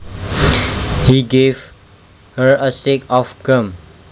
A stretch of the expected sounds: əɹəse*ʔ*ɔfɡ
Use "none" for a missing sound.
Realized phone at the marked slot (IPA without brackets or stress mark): k